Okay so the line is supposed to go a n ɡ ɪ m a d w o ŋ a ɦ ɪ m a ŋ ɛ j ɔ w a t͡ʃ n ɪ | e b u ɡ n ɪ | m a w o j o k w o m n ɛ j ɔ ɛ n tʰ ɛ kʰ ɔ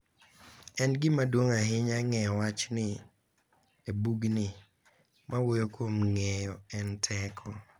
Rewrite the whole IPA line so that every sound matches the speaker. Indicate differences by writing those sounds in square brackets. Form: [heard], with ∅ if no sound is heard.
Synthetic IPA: [ɛ] n ɡ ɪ m a d w o ŋ a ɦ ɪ [ɲ] a ŋ ɛ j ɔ w a t͡ʃ n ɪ | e b u ɡ n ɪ | m a w o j o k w o m [ŋ] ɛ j ɔ ɛ n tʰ ɛ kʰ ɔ